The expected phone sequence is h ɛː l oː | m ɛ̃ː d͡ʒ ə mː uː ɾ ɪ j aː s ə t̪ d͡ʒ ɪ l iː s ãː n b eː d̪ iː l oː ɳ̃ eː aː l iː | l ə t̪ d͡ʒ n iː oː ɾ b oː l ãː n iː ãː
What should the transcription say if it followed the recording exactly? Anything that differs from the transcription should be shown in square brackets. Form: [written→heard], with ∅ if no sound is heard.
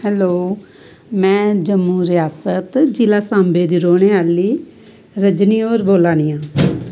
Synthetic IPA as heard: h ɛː l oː | m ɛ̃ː d͡ʒ ə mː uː ɾ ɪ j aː s ə t̪ d͡ʒ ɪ l [iː→aː] s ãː [n→m] b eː d̪ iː [l→ɾ] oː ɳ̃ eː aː l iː | [l→ɾ] ə [t̪→∅] d͡ʒ n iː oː ɾ b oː l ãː n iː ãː